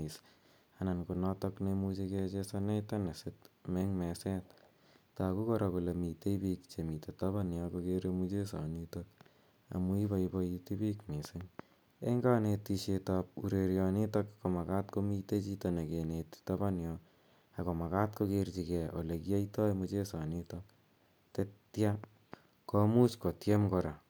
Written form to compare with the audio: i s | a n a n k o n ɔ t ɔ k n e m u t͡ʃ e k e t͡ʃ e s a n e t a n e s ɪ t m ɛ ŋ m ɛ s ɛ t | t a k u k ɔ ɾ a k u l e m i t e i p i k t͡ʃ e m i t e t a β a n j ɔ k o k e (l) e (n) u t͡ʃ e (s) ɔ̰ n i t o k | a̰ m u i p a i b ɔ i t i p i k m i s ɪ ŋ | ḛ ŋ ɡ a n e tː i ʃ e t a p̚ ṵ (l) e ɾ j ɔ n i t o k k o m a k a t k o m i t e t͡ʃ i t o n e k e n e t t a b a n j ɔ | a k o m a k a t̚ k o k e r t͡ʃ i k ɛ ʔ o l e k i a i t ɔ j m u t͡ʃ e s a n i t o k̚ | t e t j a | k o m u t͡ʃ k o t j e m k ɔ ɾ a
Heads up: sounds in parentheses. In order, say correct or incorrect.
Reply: incorrect, incorrect, correct, incorrect

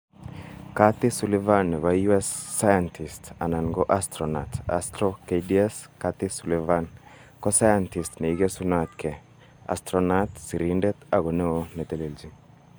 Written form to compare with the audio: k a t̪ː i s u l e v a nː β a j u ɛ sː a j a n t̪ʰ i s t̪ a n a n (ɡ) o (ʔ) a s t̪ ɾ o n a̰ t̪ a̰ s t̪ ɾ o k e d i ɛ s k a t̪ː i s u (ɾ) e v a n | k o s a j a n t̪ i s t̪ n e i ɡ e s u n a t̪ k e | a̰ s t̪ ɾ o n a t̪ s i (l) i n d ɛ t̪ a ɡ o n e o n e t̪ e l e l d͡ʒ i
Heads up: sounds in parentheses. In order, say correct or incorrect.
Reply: correct, correct, incorrect, incorrect

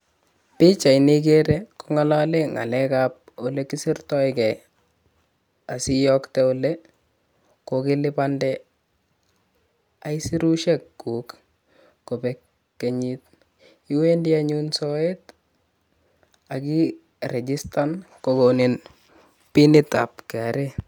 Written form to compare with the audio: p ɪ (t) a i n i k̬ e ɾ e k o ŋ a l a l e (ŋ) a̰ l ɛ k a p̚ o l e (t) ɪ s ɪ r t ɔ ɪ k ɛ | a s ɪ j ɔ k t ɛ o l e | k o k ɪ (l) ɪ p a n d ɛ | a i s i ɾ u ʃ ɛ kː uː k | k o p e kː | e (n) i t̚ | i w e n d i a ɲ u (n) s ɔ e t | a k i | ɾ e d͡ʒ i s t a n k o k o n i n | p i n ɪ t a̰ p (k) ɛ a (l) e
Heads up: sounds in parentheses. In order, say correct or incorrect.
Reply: incorrect, correct, incorrect, correct, incorrect, correct, correct, incorrect

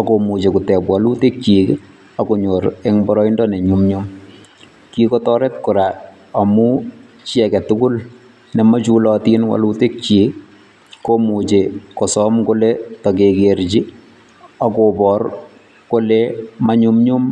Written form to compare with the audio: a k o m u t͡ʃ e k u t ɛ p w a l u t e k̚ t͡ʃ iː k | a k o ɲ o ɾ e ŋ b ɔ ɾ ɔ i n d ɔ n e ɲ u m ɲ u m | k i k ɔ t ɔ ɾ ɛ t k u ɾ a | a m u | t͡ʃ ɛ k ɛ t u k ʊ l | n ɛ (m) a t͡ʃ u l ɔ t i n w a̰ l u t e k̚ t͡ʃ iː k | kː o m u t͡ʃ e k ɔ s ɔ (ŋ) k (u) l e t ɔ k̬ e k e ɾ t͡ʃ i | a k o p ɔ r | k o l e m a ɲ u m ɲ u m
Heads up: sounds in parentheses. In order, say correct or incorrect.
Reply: correct, incorrect, incorrect

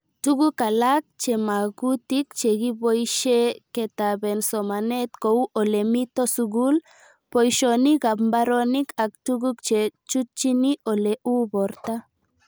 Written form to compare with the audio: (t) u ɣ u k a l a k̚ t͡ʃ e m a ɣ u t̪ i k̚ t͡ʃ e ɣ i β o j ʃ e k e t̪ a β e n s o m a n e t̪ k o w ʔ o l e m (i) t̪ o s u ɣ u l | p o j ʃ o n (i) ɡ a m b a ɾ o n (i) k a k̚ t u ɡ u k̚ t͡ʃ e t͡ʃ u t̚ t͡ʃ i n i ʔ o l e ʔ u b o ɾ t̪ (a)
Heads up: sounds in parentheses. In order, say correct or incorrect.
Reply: correct, correct, correct, correct, correct

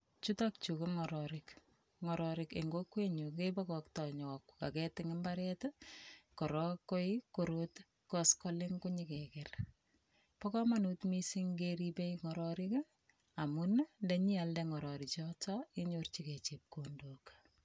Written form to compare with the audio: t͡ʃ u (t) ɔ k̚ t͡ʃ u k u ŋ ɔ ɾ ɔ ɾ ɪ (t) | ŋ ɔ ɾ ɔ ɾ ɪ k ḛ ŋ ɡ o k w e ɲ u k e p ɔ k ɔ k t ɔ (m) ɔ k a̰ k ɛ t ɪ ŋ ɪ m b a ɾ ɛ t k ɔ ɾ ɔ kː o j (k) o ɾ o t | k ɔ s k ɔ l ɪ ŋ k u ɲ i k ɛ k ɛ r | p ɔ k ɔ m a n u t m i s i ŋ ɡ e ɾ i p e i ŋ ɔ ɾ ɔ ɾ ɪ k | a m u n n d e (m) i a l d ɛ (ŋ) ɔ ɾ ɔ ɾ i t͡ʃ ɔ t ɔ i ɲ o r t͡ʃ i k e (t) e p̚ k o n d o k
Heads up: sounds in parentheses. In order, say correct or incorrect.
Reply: correct, incorrect, incorrect, correct, incorrect, correct, incorrect

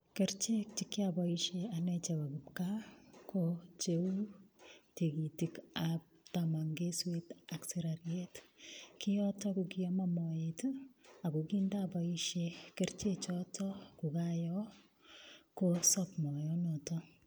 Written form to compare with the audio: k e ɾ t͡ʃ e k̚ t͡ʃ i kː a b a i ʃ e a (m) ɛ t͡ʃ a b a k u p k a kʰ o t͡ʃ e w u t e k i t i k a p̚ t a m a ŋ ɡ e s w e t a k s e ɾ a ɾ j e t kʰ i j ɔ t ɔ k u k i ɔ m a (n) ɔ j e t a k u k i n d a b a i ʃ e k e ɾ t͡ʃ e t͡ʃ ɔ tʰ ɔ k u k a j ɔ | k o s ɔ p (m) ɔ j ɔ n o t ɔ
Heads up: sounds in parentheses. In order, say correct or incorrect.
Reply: incorrect, incorrect, correct

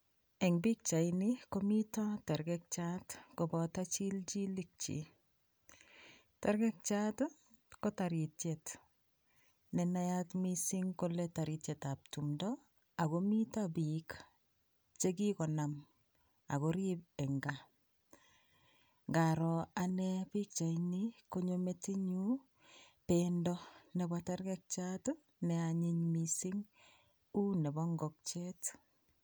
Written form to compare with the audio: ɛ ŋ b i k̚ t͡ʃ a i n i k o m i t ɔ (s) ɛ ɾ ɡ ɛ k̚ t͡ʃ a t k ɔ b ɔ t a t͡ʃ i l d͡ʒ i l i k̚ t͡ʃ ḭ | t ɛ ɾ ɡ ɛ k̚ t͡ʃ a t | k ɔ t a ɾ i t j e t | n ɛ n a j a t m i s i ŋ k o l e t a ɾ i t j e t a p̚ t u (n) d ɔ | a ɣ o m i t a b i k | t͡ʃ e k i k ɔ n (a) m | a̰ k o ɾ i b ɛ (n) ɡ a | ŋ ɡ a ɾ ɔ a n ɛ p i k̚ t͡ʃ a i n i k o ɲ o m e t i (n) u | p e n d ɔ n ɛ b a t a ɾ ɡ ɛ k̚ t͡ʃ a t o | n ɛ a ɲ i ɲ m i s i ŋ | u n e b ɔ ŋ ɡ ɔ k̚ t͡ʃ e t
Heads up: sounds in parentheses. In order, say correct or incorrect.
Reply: incorrect, incorrect, correct, incorrect, incorrect

